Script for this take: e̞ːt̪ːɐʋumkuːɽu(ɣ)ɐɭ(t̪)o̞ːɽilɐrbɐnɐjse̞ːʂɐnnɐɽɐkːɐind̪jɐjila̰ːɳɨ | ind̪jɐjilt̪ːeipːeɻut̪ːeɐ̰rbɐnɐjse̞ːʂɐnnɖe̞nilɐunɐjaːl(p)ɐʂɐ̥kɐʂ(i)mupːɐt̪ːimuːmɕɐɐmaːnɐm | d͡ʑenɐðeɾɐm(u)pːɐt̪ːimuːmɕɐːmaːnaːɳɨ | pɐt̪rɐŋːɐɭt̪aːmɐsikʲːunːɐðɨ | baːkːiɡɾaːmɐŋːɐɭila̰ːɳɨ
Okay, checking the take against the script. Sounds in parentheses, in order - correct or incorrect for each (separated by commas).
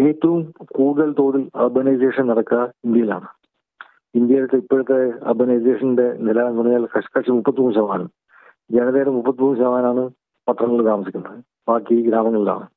incorrect, correct, incorrect, correct, correct